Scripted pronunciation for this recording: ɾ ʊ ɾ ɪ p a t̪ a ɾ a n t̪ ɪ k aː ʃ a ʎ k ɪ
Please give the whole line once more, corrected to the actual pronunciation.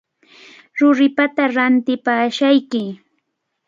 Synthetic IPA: ɾ ʊ ɾ ɪ p a t̪ a ɾ a n t̪ ɪ p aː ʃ a j k ɪ